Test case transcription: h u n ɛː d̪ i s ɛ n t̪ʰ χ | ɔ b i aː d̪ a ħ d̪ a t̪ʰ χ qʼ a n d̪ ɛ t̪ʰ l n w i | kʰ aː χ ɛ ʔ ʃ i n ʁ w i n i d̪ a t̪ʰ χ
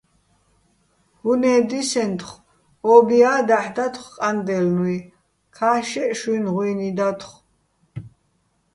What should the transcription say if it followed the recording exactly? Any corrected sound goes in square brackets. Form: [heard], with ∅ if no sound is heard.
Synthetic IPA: h u n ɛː d̪ i s ɛ n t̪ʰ χ | ɔ b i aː d̪ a ħ d̪ a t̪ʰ χ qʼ a n d̪ ɛ [∅] l n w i | kʰ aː [ʃ] ɛ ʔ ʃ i n ʁ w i n i d̪ a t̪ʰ χ